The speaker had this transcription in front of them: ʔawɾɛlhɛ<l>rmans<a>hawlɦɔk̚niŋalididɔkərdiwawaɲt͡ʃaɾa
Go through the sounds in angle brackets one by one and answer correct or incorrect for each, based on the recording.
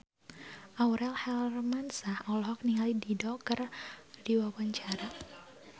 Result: correct, correct

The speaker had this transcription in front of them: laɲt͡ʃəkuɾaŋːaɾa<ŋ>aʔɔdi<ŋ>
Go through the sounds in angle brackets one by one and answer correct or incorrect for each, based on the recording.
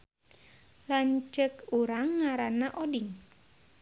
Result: incorrect, correct

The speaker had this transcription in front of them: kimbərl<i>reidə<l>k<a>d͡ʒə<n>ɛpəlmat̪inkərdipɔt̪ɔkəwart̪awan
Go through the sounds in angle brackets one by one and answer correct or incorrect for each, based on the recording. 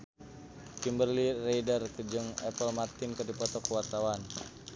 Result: correct, incorrect, incorrect, incorrect

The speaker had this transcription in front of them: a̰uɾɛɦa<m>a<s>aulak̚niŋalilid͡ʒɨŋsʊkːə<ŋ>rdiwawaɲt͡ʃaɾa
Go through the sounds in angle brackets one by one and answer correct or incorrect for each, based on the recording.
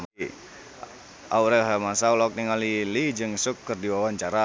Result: correct, correct, incorrect

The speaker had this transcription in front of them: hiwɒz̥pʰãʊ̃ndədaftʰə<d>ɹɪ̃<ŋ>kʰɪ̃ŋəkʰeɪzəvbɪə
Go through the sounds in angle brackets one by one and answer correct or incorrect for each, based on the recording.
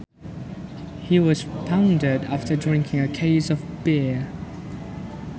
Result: correct, correct

